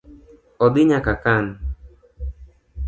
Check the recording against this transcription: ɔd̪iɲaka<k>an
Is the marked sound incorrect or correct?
correct